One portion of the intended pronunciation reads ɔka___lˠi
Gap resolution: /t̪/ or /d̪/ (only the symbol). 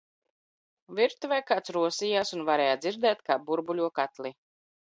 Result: t̪